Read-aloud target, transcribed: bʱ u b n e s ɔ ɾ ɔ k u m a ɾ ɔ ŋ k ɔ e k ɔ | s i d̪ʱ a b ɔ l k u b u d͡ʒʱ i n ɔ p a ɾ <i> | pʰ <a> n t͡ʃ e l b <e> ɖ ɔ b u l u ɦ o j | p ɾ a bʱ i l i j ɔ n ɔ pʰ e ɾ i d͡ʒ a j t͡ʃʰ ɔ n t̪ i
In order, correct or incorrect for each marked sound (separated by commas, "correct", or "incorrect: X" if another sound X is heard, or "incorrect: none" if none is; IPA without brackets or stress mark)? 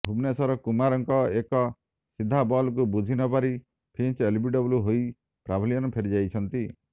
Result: correct, incorrect: i, incorrect: i